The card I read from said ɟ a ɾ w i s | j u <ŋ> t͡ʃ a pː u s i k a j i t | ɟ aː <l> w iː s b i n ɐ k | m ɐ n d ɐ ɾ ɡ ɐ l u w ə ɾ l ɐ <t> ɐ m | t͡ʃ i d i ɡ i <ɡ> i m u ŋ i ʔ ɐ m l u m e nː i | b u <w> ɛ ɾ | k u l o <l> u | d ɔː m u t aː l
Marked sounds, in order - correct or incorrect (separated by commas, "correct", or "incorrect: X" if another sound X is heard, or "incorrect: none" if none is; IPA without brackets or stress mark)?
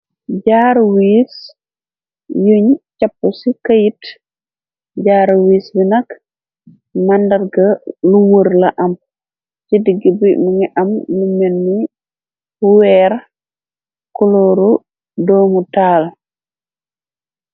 incorrect: ɲ, incorrect: ɾ, incorrect: ʔ, incorrect: b, correct, incorrect: ɾ